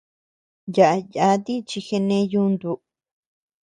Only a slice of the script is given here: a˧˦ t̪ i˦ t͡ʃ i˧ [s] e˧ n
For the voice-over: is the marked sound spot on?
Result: no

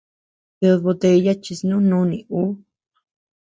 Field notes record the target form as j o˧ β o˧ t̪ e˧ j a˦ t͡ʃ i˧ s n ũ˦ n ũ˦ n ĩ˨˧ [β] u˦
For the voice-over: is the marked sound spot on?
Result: no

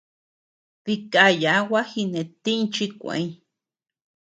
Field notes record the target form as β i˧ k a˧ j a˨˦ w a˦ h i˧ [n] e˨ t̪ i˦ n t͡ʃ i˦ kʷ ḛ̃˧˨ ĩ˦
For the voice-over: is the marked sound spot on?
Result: yes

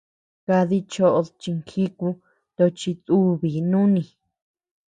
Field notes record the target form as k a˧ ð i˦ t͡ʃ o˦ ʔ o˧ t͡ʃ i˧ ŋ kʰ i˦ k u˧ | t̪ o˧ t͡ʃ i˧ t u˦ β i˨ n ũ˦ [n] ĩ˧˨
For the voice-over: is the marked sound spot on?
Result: yes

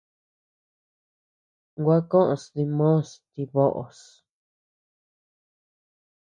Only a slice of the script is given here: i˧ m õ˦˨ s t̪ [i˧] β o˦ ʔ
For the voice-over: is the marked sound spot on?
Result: yes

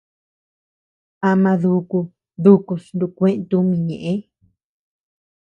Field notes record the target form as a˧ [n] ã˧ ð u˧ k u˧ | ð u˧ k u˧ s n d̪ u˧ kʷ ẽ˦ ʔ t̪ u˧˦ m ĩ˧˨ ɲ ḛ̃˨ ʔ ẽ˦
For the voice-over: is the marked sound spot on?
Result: no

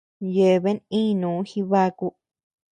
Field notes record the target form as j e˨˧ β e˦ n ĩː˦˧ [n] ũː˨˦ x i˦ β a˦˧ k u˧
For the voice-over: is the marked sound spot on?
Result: yes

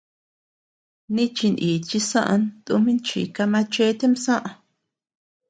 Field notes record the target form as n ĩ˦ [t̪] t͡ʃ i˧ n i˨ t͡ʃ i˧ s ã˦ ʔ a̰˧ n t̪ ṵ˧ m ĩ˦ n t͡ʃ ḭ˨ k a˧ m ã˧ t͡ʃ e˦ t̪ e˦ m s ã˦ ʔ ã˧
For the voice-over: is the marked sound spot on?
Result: no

